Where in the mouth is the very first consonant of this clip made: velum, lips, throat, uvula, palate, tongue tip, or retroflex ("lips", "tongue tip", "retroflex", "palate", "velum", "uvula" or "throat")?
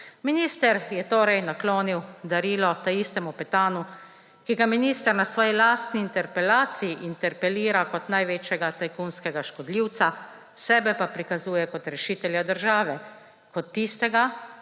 lips